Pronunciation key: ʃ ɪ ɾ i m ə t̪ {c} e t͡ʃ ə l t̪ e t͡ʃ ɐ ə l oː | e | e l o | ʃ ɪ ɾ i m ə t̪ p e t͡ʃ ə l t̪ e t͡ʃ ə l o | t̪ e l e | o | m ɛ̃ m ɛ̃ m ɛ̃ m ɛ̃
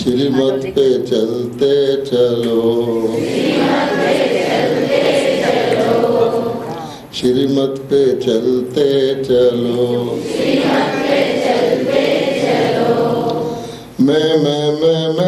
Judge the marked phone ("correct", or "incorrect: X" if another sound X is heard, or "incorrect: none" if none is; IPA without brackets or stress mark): incorrect: p